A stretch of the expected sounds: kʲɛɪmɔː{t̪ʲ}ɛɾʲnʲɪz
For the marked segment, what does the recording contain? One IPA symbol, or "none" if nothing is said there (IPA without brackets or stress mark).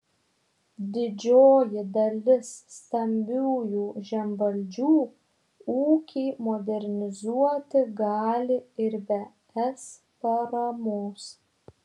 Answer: d̪ʲ